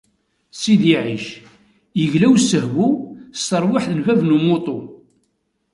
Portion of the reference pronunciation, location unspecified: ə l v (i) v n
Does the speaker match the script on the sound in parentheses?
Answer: no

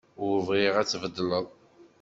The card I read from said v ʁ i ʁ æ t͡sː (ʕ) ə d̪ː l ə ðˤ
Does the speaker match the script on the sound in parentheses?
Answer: no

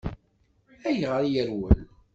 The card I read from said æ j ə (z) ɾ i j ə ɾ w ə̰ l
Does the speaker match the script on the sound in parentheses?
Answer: no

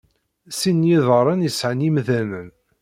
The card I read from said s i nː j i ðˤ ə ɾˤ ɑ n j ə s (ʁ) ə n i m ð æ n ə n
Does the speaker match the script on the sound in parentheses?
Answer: no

